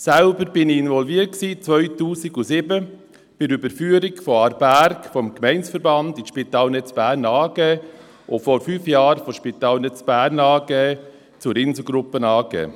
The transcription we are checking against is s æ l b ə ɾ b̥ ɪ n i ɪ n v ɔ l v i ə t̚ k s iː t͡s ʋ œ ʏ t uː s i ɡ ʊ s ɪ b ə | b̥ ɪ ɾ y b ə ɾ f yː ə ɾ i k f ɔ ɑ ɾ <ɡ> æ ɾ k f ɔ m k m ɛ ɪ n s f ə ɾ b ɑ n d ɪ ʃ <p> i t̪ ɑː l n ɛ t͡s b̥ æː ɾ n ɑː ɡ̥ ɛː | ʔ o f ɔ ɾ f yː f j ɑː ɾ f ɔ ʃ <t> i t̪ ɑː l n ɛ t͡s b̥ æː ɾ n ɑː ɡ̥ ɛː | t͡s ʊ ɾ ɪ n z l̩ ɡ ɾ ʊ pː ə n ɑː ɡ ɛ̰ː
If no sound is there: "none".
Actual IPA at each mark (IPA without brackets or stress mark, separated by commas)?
b, p, p